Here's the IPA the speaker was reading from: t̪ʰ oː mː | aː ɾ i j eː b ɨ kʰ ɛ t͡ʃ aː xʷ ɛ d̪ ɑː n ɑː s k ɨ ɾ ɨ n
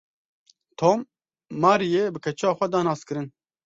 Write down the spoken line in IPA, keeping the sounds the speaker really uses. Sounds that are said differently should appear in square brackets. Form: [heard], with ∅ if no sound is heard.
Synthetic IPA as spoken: t̪ʰ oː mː | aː ɾ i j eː b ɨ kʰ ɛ t͡ʃ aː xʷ ɛ d̪ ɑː n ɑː s k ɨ ɾ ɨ n